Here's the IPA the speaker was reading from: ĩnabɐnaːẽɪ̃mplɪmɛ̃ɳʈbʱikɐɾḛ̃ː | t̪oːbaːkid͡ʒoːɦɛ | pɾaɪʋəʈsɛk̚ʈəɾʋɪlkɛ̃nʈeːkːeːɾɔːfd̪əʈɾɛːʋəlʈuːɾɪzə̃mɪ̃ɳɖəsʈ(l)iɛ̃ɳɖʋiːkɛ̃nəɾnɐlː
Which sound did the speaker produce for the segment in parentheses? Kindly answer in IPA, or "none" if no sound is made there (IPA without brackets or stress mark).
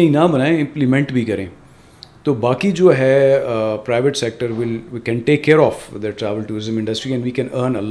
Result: ɾ